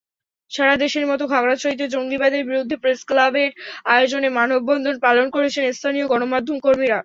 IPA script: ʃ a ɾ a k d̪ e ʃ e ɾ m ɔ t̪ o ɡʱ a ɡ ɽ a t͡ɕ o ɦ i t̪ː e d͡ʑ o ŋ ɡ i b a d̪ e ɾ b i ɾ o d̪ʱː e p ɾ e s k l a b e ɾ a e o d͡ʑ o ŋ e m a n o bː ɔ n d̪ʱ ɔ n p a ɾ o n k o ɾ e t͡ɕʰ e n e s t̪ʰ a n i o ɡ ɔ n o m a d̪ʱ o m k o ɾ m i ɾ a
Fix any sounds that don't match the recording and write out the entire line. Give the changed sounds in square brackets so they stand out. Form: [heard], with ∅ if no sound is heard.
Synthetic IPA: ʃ a ɾ a [∅] d̪ e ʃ e ɾ m ɔ t̪ o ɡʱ a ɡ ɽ a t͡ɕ o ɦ i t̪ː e d͡ʑ o ŋ ɡ i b a d̪ e ɾ b i ɾ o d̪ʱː e p ɾ e s k l a b e ɾ a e o d͡ʑ o [n] e m a n o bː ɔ n d̪ʱ [o] n p a [l] o n k o ɾ e t͡ɕʰ e n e s t̪ʰ a n i o ɡ ɔ n o m a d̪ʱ o m k o ɾ m i ɾ a